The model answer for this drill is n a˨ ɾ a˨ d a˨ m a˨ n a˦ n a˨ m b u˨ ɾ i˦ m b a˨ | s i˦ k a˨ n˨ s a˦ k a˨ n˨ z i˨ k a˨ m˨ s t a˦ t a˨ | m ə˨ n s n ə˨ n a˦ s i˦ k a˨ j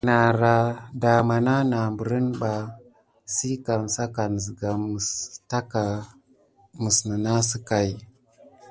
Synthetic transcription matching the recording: n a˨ ɾ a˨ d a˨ m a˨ n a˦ n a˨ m b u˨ ɾ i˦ n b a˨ | s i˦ k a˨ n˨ s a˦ k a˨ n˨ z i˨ ɡ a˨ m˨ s t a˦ k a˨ | m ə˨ s n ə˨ n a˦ s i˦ k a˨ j